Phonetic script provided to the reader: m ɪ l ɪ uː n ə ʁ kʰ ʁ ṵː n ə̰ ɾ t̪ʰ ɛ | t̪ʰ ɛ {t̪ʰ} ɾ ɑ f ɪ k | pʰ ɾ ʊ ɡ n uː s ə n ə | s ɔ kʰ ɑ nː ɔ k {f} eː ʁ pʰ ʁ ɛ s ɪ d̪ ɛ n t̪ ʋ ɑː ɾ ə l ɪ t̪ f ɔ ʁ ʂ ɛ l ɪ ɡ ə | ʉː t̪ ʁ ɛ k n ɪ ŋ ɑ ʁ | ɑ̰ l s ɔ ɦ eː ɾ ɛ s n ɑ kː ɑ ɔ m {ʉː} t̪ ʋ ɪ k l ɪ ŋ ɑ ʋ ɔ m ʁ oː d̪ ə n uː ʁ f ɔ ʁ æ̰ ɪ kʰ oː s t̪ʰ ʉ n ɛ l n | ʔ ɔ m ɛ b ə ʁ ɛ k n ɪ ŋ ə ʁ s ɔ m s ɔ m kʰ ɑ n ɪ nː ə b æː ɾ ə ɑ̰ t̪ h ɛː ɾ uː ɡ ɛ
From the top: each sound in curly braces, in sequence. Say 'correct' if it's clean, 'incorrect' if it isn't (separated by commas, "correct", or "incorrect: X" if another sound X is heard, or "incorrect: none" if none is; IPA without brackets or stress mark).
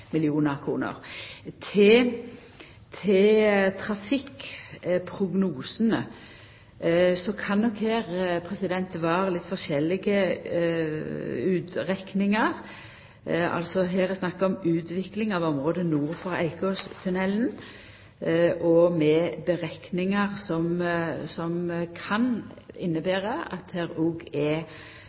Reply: correct, incorrect: h, correct